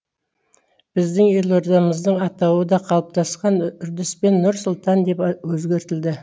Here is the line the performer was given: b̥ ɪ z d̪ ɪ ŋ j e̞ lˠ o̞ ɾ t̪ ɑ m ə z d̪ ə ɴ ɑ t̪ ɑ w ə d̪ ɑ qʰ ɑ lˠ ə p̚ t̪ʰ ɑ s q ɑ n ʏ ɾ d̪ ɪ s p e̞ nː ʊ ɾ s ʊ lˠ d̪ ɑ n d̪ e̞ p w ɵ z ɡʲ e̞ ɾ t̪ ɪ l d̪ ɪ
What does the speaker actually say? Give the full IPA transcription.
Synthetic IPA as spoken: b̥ ɪ z d̪ ɪ ŋ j e̞ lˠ o̞ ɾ d̪ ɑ m ə z d̪ ə ɴ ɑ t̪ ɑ w ə d̪ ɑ qʰ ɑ lˠ ə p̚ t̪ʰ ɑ s q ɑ n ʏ ɾ d̪ ɪ s p e̞ nː ʊ ɾ s ʊ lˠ t̪ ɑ n d̪ e̞ p w ɵ z ɡʲ e̞ ɾ t̪ ɪ l d̪ ɪ

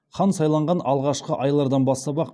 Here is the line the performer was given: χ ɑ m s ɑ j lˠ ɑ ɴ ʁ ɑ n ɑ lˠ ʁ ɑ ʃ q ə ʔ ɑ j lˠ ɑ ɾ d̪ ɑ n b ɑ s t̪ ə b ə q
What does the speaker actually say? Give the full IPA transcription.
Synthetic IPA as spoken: χ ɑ n s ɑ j lˠ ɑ ɴ ʁ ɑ n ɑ lˠ ʁ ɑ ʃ q ə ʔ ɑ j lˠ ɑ ɾ d̪ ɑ n b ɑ s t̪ ɑ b ɑ q

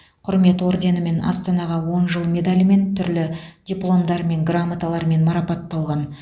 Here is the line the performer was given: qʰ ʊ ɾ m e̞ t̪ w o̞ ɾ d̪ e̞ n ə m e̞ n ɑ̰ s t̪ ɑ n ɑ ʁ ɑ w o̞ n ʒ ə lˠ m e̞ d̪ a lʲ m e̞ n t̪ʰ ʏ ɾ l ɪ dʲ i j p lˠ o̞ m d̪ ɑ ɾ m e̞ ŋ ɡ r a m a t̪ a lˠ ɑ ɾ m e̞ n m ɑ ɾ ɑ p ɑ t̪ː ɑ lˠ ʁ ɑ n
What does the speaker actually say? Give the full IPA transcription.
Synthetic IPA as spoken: qʰ ʊ ɾ m e̞ t̪ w o̞ ɾ d̪ e̞ n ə m e̞ n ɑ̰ s t̪ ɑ n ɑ ʁ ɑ w o̞ n ʒ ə lˠ m e̞ d̪ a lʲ m e̞ n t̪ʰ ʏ ɾ l ɪ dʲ i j p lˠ o̞ m d̪ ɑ ɾ m e̞ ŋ ɡ r a m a t̪ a lˠ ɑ ɾ m e̞ n m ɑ ɾ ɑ p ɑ t̪ː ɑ lˠ ʁ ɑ n

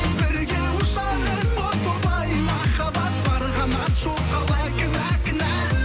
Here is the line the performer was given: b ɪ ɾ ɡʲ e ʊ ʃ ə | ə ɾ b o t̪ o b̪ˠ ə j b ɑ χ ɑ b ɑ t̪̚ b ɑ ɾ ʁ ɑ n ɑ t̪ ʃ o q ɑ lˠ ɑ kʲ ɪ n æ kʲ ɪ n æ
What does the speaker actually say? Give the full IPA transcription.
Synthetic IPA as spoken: b ɪ ɾ ɡʲ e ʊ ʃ ɑ | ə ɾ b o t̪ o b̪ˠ ɑ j m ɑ χ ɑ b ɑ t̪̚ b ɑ ɾ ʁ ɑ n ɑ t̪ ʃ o q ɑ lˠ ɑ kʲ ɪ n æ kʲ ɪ n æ

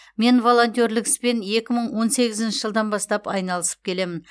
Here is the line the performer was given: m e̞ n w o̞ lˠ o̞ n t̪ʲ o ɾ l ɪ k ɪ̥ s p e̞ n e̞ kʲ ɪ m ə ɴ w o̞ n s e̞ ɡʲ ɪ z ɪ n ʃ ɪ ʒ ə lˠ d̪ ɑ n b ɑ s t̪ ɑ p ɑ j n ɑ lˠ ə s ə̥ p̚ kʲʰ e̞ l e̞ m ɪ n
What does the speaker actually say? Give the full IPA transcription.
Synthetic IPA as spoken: m e̞ n v o̞ lˠ o̞ n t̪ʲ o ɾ l ɪ k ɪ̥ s p e̞ n e̞ kʲ ɪ m ə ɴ w o̞ n s e̞ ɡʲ ɪ z ɪ n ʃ ɪ ʒ ə lˠ d̪ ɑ n b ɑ s t̪ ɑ p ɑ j n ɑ lˠ ə s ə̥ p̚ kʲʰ e̞ l e̞ m ɪ n

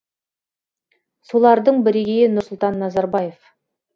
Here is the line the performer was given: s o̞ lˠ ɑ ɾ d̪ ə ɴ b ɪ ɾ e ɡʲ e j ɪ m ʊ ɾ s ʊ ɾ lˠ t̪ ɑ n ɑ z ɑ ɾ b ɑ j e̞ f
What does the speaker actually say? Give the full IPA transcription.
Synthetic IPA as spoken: s o̞ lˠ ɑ ɾ d̪ ə ɴ b ɪ ɾ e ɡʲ e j ɪ n ʊ ɾ s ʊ lˠ t̪ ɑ nː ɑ z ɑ ɾ b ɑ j e̞ f

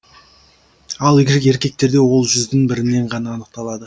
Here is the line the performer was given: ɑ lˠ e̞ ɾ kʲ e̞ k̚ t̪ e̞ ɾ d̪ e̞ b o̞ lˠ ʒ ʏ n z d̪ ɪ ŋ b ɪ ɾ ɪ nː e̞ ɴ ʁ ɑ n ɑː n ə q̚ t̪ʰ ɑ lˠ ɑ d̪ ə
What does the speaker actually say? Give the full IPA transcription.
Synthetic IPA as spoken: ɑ lˠ e̞ ɾ kʲ e̞ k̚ t̪ e̞ ɾ d̪ e̞ w o̞ lˠ ʒ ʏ z d̪ ɪ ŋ b ɪ ɾ ɪ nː e̞ ɴ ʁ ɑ n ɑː n ə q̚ t̪ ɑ lˠ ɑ d̪ ə

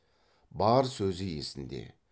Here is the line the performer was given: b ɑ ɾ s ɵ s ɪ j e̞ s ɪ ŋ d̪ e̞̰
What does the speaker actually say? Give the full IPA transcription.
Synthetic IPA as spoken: b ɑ ɾ s ɵ z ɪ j e̞ s ɪ n d̪ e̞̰

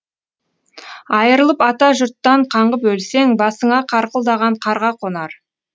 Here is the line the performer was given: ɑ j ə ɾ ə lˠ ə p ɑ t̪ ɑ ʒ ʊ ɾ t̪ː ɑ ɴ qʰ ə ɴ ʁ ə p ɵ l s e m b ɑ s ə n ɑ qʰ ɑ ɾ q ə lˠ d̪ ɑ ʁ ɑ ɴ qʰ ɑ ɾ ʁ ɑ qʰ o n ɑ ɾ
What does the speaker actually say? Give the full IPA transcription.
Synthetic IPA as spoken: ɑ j ə ɾ ə lˠ ə p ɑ t̪ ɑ ʒ ʊ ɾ t̪ː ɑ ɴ qʰ ɑ ɴ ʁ ə p ɵ l s e ŋ b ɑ s ə ɴ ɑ qʰ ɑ ɾ q ə lˠ d̪ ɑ ʁ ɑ ɴ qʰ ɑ ɾ ʁ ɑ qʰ o n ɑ ɾ

